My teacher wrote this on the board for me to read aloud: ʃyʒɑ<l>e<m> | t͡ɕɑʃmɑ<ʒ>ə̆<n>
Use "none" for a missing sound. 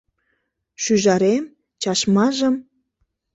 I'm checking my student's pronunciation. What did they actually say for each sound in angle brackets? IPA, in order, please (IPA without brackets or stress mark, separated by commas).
ɾ, m, ʒ, m